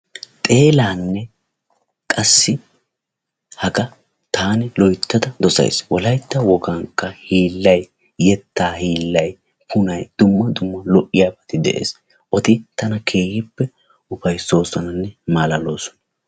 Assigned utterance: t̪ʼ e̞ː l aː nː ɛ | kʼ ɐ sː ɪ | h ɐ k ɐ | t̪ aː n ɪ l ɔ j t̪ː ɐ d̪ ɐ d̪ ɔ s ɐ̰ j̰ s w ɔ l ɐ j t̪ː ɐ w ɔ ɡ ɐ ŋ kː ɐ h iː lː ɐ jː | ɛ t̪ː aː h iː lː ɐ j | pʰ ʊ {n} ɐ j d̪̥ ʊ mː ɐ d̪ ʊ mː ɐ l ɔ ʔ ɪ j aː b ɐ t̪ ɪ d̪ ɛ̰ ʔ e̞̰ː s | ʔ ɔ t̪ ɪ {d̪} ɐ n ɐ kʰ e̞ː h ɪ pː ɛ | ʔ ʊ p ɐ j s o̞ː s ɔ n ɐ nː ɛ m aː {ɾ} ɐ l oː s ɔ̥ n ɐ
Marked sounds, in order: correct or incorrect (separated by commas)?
correct, incorrect, incorrect